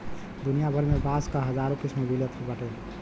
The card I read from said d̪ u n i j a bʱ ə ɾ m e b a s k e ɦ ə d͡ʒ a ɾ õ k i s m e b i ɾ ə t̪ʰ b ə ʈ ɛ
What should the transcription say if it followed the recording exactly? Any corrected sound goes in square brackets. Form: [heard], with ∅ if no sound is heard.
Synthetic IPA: d̪ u n i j a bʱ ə ɾ m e b a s k [a] ɦ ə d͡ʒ a ɾ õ k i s m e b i [l] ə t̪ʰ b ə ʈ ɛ